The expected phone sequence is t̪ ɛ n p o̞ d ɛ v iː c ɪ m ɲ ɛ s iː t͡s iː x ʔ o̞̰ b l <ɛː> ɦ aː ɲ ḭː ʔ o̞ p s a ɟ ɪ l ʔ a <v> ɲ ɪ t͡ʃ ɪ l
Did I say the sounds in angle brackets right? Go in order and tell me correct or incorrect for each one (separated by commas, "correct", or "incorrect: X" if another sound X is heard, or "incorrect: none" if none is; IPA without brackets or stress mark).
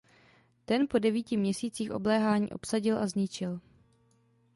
correct, incorrect: z